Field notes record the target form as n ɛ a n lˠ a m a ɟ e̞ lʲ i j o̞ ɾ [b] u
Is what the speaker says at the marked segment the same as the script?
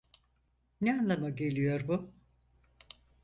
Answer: yes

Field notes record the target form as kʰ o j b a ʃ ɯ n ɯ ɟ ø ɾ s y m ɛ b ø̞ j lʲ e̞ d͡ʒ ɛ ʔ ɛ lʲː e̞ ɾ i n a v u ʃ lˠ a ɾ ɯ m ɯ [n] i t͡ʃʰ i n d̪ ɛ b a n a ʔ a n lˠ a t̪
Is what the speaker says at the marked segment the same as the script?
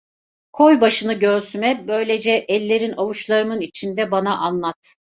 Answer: yes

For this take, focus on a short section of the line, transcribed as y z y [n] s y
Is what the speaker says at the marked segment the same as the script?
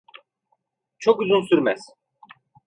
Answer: yes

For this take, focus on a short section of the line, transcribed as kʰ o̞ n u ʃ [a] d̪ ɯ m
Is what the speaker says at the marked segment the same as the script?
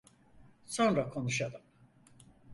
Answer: yes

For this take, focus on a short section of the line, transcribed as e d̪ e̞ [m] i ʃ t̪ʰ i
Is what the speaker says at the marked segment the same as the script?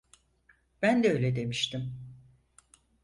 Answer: yes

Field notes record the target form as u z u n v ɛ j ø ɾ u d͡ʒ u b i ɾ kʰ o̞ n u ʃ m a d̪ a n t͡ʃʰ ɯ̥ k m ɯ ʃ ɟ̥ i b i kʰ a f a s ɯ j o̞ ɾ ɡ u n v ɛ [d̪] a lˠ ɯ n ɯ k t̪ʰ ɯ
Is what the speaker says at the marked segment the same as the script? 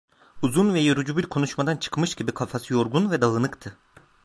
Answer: yes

